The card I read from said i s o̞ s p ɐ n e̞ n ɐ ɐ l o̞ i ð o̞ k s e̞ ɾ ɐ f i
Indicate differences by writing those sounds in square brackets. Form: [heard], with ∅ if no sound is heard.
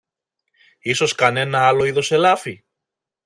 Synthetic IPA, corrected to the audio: i s o̞ s [k] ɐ n e̞ n ɐ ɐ l o̞ i ð o̞ [∅] s e̞ [l] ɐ f i